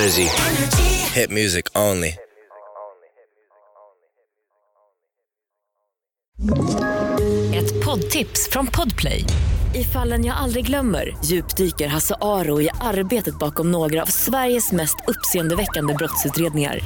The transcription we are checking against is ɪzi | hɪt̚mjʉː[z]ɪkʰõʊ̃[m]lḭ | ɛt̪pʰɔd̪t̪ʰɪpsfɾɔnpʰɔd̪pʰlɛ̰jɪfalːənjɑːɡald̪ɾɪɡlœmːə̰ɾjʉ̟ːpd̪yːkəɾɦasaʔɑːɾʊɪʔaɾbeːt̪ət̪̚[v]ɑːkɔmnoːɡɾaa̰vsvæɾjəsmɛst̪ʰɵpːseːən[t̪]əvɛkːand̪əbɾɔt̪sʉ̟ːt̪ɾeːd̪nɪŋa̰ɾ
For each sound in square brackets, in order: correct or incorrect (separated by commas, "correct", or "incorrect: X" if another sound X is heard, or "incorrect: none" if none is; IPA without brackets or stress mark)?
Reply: correct, incorrect: n, incorrect: b, incorrect: d̪